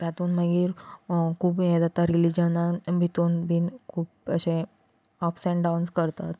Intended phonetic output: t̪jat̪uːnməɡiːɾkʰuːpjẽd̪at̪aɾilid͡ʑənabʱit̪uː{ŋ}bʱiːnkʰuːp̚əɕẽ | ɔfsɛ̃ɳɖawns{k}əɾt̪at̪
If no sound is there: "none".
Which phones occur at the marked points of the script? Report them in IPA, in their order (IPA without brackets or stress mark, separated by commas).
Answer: n, k